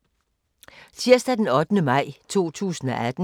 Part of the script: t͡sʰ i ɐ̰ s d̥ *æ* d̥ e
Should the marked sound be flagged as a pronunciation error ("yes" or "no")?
no